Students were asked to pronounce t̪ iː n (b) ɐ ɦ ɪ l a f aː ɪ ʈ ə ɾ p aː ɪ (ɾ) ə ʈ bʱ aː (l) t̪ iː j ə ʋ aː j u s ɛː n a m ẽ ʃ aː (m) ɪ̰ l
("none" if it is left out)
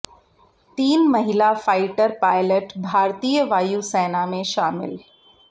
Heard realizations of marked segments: m, l, ɾ, m

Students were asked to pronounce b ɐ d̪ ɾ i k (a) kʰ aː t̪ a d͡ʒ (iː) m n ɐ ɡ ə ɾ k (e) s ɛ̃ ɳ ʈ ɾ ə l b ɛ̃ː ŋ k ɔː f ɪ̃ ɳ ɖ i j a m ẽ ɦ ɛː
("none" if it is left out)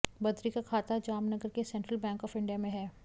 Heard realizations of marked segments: a, aː, e

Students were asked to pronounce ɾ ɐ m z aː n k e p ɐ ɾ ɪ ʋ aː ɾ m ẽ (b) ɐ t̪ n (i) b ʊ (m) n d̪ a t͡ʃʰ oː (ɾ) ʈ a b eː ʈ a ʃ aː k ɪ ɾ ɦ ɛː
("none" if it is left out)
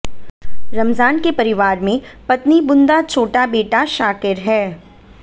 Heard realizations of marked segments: p, i, none, none

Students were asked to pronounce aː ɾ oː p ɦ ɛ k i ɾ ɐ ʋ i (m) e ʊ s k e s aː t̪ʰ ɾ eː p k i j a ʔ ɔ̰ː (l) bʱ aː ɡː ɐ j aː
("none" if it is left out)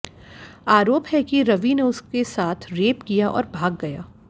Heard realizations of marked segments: n, ɾ

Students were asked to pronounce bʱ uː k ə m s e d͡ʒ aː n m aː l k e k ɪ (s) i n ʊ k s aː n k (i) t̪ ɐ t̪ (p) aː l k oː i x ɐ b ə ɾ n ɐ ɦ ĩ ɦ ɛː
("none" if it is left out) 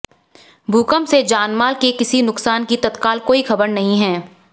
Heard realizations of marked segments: s, i, k

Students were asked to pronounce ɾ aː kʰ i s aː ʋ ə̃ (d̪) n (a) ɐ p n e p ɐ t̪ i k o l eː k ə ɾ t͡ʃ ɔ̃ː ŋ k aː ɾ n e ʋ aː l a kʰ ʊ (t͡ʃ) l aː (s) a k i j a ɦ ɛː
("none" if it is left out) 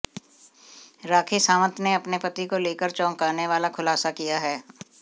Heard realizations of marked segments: t̪, e, none, s

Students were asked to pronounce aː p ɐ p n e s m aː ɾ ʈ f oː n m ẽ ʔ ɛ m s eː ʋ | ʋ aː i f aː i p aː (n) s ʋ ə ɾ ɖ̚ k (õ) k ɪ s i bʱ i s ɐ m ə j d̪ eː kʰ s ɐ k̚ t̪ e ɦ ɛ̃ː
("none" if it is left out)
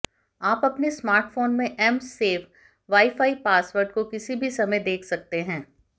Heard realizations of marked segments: none, o

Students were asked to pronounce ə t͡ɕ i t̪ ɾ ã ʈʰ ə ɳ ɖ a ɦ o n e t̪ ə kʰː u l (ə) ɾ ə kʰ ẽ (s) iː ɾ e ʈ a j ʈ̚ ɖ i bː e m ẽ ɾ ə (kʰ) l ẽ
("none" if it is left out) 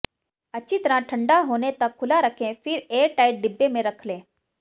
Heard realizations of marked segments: a, f, kʰ

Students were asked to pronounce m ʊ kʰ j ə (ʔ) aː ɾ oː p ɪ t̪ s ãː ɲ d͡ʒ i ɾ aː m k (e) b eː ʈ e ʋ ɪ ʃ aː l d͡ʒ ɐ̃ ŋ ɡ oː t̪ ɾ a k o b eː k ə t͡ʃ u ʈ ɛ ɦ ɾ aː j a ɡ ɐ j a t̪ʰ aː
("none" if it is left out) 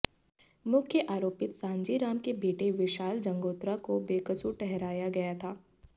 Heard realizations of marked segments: ʔ, e

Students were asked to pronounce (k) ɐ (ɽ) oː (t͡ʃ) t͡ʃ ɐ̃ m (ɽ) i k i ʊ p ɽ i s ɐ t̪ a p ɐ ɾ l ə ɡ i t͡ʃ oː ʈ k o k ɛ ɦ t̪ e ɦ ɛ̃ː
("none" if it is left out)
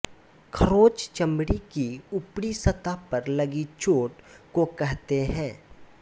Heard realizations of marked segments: kʰ, ɾ, t͡ʃ, ɽ

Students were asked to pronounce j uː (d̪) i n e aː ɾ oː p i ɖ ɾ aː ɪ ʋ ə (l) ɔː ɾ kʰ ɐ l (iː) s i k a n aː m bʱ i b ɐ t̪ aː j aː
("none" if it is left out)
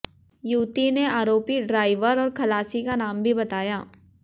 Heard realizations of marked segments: t̪, ɾ, aː

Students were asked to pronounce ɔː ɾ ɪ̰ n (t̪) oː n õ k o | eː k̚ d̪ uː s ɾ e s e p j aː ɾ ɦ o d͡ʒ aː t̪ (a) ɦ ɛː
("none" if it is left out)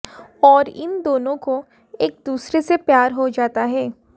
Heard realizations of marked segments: d̪, a

